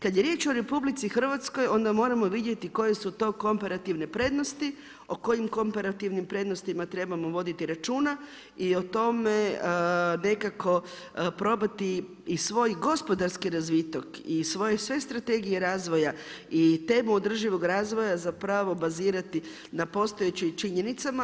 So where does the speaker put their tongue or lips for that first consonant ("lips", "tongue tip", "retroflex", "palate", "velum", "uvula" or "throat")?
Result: velum